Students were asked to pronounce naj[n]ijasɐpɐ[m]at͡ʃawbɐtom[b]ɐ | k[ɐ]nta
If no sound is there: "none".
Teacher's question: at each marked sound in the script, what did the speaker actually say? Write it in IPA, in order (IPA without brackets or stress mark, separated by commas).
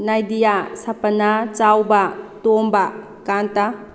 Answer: d, n, b, a